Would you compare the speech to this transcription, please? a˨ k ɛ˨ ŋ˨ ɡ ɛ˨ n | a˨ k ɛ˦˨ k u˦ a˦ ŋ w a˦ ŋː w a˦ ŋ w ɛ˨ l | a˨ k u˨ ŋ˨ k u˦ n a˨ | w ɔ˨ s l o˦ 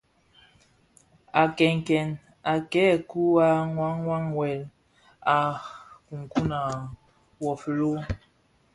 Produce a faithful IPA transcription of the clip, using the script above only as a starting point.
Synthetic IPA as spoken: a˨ k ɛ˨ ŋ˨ k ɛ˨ n | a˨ k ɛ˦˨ k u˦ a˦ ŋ w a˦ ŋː w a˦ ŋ w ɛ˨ l | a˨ k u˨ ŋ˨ k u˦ n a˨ | w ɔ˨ f l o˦